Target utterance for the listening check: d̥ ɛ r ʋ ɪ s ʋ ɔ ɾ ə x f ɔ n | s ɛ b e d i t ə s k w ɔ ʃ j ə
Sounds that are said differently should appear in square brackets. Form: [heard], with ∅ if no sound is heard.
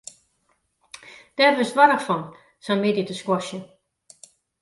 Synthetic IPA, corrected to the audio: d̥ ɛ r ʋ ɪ s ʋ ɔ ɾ ə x f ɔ n | s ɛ [m] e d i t ə s k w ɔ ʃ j ə